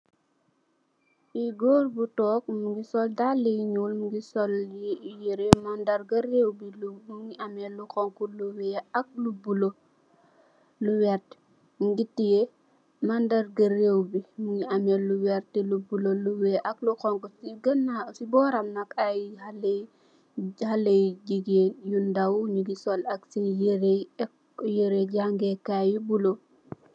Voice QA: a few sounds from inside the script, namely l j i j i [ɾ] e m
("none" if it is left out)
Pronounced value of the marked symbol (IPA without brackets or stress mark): ɾ